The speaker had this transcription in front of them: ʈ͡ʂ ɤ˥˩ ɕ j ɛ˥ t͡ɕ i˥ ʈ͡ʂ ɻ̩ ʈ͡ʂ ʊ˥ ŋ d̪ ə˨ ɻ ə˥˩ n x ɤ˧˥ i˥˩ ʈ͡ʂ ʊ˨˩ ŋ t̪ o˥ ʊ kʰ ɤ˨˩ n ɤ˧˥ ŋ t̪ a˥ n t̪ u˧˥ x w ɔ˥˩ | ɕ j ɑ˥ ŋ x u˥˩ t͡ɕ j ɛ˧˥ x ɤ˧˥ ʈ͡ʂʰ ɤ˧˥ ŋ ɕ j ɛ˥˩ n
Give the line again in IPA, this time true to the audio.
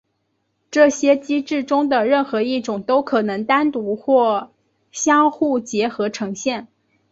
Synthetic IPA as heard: ʈ͡ʂ ɤ˥˩ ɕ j ɛ˥ t͡ɕ i˥ ʈ͡ʂ ɻ̩ ʈ͡ʂ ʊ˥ ŋ d̪ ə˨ ɻ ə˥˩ n x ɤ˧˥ i˥˩ ʈ͡ʂ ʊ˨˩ ŋ t̪ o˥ ʊ kʰ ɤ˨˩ n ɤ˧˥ ŋ t̪ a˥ n t̪ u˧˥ x w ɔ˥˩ | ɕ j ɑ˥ ŋ x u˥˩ t͡ɕ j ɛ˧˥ x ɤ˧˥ ʈ͡ʂʰ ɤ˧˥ ŋ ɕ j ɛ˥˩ n